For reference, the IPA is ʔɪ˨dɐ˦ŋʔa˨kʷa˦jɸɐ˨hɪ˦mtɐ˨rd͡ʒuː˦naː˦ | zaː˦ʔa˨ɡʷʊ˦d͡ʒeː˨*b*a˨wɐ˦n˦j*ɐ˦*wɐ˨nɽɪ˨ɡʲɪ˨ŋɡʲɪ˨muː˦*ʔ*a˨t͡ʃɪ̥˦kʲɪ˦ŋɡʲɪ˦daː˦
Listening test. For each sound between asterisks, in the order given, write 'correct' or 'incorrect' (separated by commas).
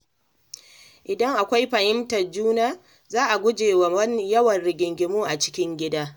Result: incorrect, correct, correct